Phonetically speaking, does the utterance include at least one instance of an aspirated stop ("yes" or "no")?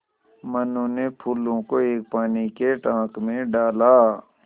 yes